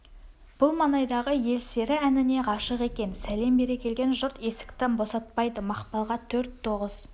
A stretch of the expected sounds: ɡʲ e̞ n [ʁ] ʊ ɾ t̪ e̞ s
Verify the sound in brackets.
incorrect: ʒ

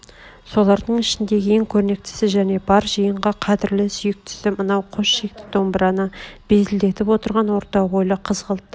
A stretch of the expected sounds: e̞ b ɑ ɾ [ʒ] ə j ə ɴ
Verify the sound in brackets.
correct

